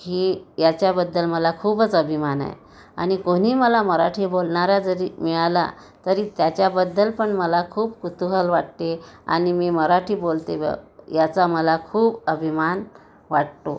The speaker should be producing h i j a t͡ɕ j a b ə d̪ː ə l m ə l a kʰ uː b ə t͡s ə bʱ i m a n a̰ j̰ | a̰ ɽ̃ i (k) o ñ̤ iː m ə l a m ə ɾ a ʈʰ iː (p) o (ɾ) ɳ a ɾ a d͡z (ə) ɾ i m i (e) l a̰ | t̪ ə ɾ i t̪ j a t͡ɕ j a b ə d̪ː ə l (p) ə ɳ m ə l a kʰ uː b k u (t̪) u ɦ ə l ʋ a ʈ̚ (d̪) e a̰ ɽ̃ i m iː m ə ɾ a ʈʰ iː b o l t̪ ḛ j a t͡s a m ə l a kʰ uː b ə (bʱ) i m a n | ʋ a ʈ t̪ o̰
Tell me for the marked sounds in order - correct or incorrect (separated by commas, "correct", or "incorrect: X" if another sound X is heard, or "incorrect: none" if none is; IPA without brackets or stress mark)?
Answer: correct, incorrect: b, incorrect: l, correct, incorrect: a, correct, correct, incorrect: t̪, correct